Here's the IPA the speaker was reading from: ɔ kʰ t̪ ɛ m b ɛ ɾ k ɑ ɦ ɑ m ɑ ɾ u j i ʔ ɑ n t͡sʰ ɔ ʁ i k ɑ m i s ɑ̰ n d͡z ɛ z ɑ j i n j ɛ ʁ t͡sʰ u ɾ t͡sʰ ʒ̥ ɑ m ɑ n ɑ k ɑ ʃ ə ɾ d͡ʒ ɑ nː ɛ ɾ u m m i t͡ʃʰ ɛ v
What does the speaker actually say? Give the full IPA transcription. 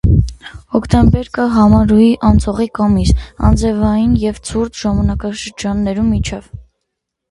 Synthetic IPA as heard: ɔ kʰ t̪ ɛ m b ɛ ɾ k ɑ ɦ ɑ m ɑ ɾ u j i ʔ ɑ n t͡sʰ ɔ ʁ i k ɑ m i s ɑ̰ n d͡z ɛ v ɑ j i n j ɛ v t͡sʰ u ɾ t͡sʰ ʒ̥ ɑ m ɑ n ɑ k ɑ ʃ ə ɾ d͡ʒ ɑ nː ɛ ɾ u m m i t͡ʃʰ ɛ v